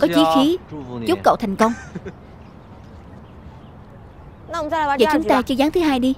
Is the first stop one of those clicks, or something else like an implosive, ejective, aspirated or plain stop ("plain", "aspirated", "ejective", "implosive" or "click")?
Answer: plain